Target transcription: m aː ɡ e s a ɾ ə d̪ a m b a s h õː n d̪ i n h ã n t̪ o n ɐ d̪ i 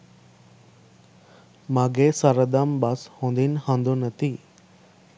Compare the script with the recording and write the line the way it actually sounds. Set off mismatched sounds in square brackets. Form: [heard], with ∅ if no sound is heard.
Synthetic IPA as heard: m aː ɡ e s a ɾ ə d̪ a m b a s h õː n d̪ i n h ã n [d̪] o n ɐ [t̪] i